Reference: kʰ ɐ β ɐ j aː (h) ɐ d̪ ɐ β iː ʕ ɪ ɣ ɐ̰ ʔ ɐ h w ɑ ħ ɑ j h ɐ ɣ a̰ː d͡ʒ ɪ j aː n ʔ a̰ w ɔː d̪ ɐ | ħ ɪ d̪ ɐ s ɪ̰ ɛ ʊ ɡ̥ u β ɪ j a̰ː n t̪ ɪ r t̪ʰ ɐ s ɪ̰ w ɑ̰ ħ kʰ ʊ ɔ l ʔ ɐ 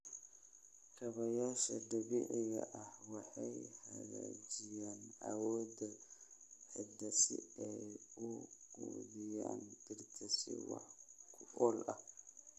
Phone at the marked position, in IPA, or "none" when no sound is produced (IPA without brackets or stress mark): ʃ